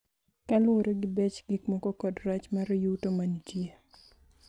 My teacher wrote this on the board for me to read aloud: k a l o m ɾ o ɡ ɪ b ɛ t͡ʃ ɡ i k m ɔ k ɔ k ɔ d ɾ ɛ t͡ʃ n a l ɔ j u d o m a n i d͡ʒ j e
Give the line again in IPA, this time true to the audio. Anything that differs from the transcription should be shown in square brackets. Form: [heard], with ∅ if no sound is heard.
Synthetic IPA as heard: k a l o [∅] ɾ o ɡ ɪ b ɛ t͡ʃ ɡ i k m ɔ k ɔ k ɔ d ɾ [a] t͡ʃ [m] a [ɾ] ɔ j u [t] o m a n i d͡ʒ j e